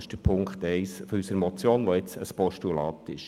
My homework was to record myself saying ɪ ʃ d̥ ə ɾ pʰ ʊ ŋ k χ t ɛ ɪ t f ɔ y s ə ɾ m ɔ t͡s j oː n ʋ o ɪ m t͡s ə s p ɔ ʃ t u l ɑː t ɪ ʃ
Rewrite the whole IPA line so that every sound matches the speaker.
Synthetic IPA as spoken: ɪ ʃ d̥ ə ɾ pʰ ʊ ŋ k χ t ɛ ɪ s f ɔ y s ə ɾ m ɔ t͡s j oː n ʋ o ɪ t͡s ə s p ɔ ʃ t u l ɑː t ɪ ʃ